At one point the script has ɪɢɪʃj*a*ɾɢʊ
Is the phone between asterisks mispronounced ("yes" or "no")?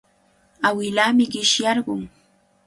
yes